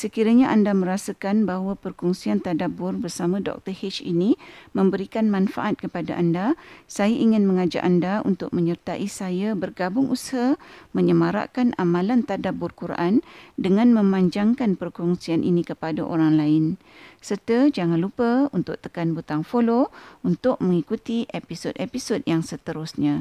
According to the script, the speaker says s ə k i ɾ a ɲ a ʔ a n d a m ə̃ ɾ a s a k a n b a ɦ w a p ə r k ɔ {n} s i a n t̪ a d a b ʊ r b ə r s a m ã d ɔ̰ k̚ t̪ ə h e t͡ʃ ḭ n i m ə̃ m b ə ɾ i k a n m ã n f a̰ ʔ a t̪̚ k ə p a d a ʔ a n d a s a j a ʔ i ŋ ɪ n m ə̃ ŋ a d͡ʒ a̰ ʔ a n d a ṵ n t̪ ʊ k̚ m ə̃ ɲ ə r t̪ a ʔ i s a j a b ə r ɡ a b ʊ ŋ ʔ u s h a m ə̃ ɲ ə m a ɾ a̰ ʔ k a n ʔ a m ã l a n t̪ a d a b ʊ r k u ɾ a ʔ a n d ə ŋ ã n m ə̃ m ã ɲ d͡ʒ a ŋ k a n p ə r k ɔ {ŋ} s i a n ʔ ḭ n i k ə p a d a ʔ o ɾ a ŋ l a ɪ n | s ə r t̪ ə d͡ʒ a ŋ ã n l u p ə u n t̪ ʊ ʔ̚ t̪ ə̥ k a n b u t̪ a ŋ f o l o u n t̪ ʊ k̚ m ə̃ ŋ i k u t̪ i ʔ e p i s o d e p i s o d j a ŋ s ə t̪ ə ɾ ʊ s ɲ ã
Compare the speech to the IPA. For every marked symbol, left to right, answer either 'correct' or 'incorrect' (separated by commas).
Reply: incorrect, correct